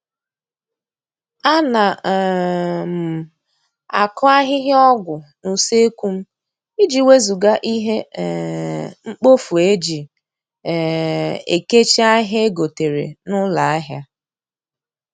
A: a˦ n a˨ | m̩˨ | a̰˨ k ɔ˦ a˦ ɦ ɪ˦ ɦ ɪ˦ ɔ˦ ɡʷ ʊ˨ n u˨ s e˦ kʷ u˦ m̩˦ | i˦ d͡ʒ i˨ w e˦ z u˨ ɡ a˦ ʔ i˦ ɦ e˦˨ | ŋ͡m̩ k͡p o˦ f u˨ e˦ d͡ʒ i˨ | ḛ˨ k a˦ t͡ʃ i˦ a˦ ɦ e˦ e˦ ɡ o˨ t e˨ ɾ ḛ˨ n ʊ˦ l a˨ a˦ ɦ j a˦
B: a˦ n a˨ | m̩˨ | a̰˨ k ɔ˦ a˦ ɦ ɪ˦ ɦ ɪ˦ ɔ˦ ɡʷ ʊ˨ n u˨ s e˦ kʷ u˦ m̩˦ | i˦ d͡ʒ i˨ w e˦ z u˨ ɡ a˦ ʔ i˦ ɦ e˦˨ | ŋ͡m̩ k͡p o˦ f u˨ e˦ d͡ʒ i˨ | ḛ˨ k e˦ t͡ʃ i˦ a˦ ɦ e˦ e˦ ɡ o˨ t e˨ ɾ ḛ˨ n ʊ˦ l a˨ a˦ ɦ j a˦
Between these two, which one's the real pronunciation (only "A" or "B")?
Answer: B